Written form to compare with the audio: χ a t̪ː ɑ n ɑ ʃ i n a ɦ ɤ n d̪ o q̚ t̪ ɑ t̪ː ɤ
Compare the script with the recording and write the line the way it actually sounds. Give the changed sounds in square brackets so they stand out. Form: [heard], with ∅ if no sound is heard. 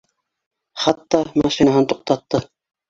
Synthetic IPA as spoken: χ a t̪ː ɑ [m] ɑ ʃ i n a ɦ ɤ n [t̪] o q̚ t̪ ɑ t̪ː ɤ